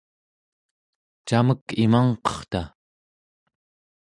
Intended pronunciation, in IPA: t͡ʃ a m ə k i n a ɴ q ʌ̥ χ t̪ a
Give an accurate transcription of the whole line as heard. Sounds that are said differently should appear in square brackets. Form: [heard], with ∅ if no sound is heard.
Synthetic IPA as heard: t͡ʃ a m ə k i [m] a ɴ q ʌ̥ χ t̪ a